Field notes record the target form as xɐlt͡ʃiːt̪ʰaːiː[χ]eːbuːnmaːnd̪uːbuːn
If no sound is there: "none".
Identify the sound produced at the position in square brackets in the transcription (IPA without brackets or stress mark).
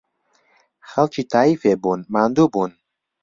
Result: f